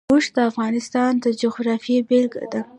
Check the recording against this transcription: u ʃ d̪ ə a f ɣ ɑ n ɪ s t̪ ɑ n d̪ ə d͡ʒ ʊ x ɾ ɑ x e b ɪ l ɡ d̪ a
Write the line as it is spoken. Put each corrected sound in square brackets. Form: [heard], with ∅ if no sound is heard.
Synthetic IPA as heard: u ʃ d̪ ə a f ɣ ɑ n ɪ s t̪ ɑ n d̪ ə d͡ʒ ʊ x ɾ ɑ [f] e b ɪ l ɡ d̪ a